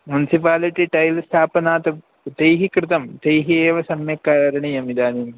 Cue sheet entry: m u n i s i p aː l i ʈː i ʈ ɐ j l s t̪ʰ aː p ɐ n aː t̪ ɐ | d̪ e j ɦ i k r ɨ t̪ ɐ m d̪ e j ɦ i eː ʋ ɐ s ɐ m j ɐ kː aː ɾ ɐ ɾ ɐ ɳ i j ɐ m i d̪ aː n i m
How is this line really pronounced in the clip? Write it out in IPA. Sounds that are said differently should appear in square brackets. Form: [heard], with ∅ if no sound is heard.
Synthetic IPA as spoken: m u n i s i p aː l i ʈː i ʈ ɐ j l s t̪ʰ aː p ɐ n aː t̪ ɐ | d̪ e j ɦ i k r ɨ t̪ ɐ m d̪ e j ɦ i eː ʋ ɐ s ɐ m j ɐ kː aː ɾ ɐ ɾ ɐ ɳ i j ɐ m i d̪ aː n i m